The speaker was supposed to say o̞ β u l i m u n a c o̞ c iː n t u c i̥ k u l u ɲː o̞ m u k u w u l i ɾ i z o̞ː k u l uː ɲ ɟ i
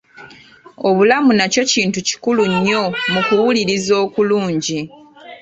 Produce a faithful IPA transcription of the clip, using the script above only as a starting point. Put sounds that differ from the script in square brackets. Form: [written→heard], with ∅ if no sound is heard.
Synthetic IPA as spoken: o̞ β u l [i→a] m u n a c o̞ c iː n t u c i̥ k u l u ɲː o̞ m u k u w u l i ɾ i z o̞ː k u l uː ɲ ɟ i